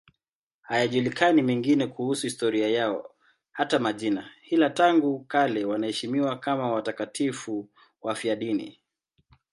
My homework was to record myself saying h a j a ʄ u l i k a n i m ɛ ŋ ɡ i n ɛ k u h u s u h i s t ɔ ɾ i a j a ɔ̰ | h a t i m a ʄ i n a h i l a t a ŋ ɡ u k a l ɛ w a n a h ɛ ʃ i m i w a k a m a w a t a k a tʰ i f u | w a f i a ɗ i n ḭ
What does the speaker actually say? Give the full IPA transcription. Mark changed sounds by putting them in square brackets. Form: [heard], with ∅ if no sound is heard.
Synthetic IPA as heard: h a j a ʄ u l i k a n i m ɛ ŋ ɡ i n ɛ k u h u s u h i s t ɔ ɾ i a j a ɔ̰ | h a t [a] m a ʄ i n a h i l a t a ŋ ɡ u k a l ɛ w a n a h ɛ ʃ i m i w a k a m a w a t a k a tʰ i f u | w a f i a ɗ i n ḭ